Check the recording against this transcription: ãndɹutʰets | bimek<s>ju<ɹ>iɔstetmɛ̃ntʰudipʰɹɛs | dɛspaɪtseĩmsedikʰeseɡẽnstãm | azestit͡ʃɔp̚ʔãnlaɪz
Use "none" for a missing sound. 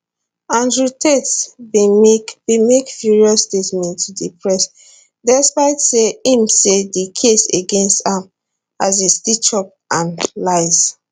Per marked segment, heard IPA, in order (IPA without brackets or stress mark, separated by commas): f, ɹ